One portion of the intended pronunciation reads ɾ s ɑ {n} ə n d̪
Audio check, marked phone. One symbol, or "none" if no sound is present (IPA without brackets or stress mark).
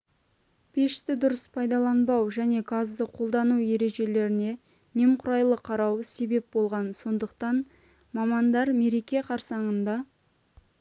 ɴ